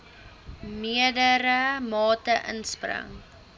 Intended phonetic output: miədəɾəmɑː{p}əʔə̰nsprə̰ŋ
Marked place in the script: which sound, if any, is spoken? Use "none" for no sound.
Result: t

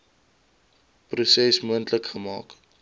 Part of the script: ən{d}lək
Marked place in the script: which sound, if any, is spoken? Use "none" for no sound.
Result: t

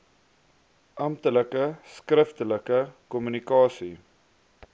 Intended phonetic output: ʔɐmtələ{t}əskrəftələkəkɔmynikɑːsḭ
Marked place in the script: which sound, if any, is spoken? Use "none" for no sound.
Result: k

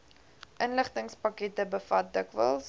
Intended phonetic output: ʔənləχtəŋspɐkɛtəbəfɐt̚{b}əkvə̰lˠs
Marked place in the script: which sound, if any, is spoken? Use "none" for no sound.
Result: d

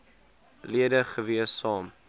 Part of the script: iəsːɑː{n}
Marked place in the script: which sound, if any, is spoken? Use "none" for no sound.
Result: m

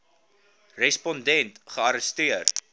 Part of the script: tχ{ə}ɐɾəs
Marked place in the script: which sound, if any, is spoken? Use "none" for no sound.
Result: ə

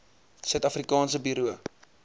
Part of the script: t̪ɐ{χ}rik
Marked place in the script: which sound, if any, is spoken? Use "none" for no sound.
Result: f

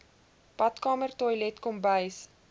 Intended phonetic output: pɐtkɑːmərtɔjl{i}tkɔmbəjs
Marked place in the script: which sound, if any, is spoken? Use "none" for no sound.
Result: ɛ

